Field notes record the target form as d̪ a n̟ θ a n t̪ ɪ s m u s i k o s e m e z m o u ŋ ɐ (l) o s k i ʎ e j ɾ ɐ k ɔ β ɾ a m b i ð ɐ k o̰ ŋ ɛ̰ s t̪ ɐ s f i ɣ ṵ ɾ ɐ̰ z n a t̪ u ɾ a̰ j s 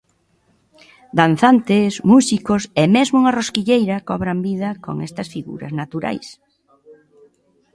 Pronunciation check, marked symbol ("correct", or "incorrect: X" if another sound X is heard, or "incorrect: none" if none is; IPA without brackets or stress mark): incorrect: r